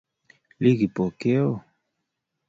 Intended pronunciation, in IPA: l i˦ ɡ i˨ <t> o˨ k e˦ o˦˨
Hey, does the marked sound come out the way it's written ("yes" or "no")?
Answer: no